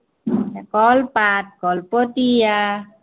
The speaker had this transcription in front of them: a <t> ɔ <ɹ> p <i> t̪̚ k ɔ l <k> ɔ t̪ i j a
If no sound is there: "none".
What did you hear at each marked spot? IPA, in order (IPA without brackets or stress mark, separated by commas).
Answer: k, l, a, p